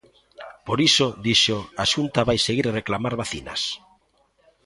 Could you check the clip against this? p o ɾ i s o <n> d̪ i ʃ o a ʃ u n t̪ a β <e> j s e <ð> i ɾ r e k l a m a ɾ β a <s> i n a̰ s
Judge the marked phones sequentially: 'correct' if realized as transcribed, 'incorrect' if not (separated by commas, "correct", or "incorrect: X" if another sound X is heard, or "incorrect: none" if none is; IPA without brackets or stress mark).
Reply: incorrect: none, incorrect: a, incorrect: ɣ, incorrect: θ